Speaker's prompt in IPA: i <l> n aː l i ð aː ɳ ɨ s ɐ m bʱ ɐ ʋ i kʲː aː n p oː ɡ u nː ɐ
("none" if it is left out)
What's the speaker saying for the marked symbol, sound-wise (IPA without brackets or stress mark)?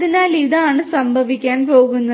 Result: none